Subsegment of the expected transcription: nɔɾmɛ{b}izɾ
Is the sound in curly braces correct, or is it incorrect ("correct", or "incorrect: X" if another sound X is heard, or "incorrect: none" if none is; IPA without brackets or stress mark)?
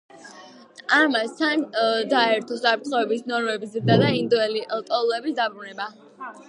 correct